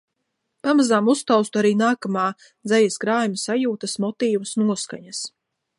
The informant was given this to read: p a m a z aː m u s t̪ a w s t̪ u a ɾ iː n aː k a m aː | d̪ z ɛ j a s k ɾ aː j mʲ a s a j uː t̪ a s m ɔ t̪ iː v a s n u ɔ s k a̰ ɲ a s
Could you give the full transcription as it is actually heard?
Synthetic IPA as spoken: p a m a z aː m u s t̪ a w s t̪ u a ɾ iː n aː k a m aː | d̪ z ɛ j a s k ɾ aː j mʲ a s a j uː t̪ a s m ɔ t̪ iː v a s n u ɔ s k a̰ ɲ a s